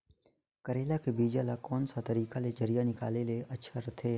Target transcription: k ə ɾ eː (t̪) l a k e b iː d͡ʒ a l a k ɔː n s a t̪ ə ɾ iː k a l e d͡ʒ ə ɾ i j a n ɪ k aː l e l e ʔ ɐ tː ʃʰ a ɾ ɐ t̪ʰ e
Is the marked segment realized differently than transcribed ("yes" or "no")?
yes